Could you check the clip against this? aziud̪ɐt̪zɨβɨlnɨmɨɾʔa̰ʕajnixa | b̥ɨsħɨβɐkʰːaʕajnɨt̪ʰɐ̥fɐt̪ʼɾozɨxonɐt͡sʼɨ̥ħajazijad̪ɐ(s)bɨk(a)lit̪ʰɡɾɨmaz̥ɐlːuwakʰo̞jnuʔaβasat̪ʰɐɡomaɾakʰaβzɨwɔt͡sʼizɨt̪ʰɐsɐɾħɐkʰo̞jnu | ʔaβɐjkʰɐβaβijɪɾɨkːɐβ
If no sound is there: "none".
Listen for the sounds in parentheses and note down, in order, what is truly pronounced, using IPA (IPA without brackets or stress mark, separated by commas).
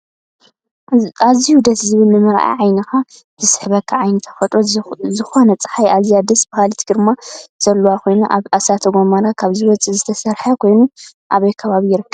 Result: s, a